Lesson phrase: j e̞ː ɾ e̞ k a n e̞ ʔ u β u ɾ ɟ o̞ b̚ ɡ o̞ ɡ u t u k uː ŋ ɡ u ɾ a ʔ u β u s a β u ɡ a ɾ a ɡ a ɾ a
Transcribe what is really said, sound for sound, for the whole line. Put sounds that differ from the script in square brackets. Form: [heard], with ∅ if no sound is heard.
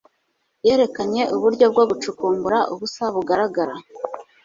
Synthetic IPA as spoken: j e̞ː ɾ e̞ k a [ɲ] e̞ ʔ u β u ɾ ɟ o̞ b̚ ɡ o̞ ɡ u [t͡ʃ] u k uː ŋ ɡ u ɾ a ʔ u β u s a β u ɡ a ɾ a ɡ a ɾ a